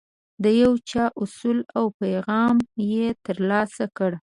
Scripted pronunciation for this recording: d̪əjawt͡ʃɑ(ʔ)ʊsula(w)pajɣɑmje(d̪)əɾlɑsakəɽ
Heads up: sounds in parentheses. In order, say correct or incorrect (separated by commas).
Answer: correct, correct, incorrect